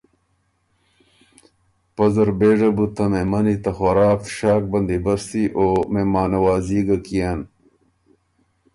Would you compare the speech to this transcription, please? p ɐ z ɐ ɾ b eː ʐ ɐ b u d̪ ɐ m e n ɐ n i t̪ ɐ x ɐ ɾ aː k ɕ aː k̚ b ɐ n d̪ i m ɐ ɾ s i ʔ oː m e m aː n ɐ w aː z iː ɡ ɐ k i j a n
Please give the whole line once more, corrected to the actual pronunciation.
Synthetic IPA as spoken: p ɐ z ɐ ɾ b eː ʐ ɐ b u t̪ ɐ m e m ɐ n i t̪ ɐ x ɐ ɾ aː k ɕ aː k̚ b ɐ n d̪ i b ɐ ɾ s i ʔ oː m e m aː n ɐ w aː z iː ɡ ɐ k i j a n